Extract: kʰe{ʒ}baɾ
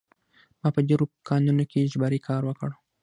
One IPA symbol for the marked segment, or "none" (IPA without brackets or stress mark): ʒ